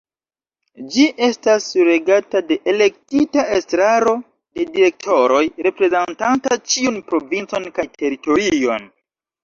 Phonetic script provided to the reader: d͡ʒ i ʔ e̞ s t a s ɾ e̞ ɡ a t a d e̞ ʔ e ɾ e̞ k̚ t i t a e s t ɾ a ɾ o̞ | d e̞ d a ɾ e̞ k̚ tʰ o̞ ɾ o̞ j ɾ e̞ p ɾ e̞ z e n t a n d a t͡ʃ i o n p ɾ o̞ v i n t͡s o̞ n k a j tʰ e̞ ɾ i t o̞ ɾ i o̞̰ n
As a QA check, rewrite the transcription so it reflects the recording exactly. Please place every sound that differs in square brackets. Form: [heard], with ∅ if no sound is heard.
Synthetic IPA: d͡ʒ i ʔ e̞ s t a s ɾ e̞ ɡ a t a d e̞ ʔ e [l] e̞ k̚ t i t a e s t ɾ a ɾ o̞ | d e̞ d [i] ɾ e̞ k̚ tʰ o̞ ɾ o̞ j ɾ e̞ p ɾ e̞ z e n t a n [t] a t͡ʃ i [u] n p ɾ o̞ v i n t͡s o̞ n k a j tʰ e̞ ɾ i t o̞ ɾ i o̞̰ n